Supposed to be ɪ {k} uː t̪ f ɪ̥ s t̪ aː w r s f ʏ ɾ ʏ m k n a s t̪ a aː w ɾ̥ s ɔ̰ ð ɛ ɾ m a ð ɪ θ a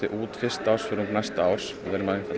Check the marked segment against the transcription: incorrect: ʔ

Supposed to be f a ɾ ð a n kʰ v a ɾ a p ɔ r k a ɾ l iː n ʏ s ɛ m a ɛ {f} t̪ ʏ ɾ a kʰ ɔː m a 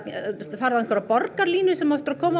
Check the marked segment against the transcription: correct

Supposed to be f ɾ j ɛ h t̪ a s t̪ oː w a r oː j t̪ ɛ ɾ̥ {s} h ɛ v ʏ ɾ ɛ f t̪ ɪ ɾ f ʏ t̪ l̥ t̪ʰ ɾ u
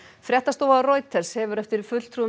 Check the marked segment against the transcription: correct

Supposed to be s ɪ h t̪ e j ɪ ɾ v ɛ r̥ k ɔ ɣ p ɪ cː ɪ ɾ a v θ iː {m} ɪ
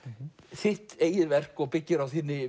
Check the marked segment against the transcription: incorrect: n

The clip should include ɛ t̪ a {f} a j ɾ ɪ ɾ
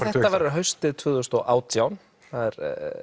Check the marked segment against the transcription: incorrect: v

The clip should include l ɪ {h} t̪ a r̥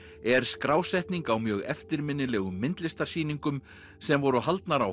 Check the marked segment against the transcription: incorrect: s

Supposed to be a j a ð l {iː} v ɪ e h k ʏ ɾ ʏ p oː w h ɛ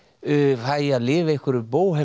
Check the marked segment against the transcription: incorrect: ɪː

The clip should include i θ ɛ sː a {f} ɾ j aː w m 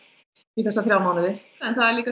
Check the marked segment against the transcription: incorrect: θ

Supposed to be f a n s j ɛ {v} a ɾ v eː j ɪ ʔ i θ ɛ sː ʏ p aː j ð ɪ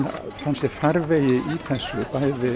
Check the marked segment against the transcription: incorrect: f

